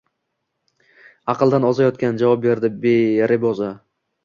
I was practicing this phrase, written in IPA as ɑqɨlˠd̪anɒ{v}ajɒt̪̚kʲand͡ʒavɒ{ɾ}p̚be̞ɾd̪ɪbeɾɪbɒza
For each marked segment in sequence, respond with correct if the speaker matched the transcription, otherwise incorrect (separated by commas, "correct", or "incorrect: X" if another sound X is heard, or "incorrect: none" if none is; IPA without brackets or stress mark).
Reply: incorrect: z, incorrect: none